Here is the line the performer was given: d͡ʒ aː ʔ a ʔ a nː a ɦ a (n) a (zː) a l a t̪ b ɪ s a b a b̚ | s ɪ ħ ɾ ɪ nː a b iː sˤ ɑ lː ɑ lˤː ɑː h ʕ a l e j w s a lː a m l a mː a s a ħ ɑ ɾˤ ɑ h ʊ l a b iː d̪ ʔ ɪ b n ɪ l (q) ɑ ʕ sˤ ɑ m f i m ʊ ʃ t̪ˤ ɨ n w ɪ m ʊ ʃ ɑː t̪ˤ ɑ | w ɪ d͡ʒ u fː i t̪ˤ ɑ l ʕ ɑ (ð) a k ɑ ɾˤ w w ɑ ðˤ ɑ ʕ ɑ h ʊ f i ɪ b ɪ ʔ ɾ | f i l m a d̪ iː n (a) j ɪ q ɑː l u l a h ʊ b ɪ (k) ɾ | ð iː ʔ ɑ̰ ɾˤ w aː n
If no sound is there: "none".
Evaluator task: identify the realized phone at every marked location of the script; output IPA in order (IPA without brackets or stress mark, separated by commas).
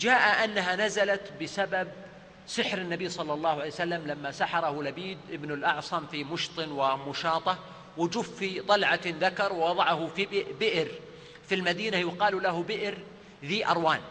n, z, ʔ, ð, a, ʔ